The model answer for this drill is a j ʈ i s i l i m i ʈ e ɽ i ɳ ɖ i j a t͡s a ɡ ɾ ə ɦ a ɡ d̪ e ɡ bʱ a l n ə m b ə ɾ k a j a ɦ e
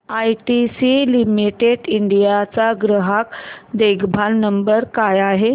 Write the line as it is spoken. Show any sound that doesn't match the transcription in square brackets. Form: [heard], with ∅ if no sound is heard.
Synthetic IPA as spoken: a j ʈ i s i l i m i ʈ e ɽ i ɳ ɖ i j a t͡s a ɡ ɾ ə ɦ a [k] d̪ e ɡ bʱ a l n ə m b ə ɾ k a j a ɦ e